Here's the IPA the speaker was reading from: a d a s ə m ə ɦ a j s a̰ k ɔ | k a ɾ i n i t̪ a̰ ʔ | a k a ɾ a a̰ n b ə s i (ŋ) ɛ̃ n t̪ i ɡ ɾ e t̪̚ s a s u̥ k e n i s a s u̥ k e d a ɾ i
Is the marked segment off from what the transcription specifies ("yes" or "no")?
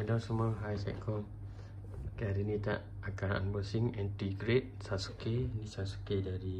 no